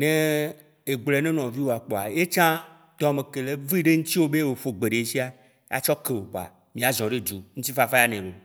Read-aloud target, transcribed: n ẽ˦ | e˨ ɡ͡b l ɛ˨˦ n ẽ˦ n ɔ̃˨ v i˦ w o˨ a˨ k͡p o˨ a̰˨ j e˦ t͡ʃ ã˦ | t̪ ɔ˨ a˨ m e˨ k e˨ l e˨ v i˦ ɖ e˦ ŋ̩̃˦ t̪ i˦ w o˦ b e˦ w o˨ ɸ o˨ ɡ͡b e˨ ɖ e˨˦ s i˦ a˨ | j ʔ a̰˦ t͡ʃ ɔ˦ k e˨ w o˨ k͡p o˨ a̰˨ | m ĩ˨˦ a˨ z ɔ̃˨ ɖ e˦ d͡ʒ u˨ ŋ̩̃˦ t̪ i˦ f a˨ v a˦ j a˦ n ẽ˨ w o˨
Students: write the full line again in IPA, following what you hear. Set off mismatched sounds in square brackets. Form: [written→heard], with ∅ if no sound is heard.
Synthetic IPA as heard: n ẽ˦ | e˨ ɡ͡b l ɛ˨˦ n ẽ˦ n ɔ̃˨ v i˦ w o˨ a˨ k͡p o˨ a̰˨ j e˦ t͡ʃ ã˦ | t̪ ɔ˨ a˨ m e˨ k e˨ l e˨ v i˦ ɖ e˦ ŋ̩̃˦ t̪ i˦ w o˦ b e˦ w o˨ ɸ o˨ ɡ͡b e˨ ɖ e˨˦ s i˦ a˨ | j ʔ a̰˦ t͡ʃ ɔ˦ k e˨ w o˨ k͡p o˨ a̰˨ | m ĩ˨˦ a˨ z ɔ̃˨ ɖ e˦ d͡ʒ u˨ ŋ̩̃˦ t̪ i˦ f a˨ [v→f] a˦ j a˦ n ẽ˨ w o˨